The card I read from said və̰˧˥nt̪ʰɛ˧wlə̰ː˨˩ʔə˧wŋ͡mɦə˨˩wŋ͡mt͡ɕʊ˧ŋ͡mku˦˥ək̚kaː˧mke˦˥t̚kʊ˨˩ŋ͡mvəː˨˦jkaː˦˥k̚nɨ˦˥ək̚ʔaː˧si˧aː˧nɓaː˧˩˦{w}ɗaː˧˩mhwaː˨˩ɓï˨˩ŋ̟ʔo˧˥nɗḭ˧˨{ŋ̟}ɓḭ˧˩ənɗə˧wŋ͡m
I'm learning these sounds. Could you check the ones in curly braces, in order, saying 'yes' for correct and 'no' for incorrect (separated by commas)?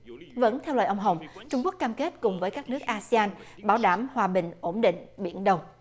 yes, yes